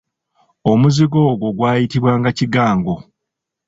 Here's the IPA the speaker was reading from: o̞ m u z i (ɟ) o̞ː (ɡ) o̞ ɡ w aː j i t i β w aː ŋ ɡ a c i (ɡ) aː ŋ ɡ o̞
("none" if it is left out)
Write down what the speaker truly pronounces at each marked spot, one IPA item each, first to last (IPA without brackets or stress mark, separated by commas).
ɡ, ɡ, ɡ